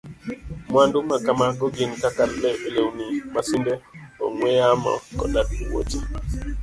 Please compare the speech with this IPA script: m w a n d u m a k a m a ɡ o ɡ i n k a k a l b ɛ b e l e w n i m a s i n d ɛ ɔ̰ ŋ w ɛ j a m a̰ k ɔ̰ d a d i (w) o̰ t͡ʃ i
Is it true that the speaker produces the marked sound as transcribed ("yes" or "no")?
yes